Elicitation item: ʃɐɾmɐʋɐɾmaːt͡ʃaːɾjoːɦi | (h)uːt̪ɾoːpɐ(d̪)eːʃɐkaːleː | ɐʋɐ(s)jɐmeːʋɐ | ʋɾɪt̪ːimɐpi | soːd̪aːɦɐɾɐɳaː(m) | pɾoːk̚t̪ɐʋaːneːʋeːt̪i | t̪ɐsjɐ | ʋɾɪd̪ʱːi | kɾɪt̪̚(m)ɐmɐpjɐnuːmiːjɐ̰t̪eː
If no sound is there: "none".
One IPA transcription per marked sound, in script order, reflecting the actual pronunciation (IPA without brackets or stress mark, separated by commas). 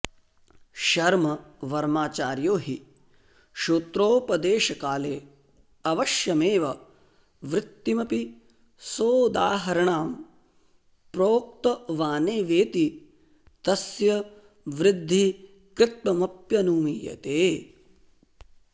ʃ, d̪, ʃ, m, m